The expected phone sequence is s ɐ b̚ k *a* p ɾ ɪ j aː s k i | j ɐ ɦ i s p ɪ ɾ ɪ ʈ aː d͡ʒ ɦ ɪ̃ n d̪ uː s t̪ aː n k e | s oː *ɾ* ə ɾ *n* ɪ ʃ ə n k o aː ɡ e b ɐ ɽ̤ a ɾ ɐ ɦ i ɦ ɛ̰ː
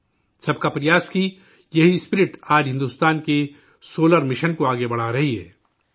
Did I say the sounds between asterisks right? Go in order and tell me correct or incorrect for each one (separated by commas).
correct, incorrect, incorrect